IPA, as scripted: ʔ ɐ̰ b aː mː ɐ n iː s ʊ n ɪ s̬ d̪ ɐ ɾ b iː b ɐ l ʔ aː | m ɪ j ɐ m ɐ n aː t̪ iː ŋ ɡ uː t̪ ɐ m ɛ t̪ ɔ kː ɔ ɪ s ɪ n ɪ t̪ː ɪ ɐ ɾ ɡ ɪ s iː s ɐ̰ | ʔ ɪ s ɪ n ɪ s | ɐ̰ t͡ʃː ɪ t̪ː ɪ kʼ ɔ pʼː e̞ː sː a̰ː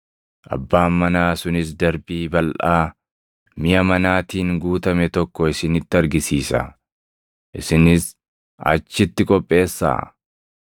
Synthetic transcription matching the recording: ʔ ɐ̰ bː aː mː ɐ n aː s ʊ n ɪ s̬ d̪ ɐ ɾ b iː b ɐ l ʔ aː | m ɪ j ɐ m ɐ n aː t̪ iː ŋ ɡ uː t̪ ɐ m ɛ t̪ ɔ kː ɔ ɪ s ɪ n ɪ t̪ː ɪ ɐ ɾ ɡ ɪ s iː s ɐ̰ | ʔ ɪ s ɪ n ɪ s | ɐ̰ t͡ʃː ɪ t̪ː ɪ kʼ ɔ pʼː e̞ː sː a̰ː